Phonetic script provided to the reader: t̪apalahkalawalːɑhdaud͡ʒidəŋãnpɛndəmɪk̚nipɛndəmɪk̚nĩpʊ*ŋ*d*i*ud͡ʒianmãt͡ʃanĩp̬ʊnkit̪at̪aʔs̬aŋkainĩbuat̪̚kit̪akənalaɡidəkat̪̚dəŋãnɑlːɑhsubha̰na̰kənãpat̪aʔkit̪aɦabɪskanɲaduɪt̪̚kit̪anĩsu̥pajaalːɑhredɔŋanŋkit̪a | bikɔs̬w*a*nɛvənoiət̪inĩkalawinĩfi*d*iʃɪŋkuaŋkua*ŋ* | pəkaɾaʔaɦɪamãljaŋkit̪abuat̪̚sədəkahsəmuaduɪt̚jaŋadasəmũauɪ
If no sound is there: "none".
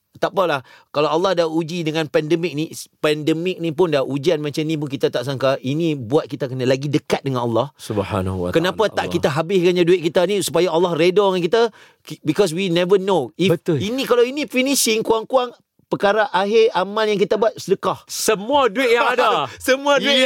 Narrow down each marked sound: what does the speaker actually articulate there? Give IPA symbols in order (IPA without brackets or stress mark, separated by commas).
n, a, i, n, ŋ